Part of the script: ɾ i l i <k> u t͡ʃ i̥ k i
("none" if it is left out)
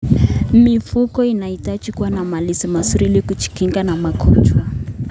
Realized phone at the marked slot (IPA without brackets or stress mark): k